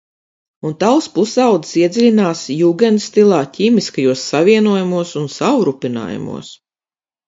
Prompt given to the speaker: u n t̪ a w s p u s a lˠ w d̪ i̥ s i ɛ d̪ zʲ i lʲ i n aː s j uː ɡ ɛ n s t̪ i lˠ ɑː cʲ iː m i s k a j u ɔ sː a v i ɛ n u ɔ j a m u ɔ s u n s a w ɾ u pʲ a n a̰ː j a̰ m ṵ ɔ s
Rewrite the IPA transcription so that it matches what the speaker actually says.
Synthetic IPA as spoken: u n t̪ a w s p u s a w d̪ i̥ s i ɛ d̪ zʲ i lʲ i n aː s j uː ɡ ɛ n s t̪ i lˠ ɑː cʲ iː m i s k a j u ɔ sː a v i ɛ n u ɔ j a m u ɔ s u n s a w ɾ u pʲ i n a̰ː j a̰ m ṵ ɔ s